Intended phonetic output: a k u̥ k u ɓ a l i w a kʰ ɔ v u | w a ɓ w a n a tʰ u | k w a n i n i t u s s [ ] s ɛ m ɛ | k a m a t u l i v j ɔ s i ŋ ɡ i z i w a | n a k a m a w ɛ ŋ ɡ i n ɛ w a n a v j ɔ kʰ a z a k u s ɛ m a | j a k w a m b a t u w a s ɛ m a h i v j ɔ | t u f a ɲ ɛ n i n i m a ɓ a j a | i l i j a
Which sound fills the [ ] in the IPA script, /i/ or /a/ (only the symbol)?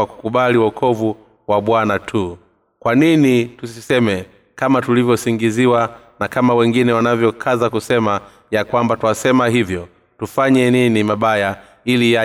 i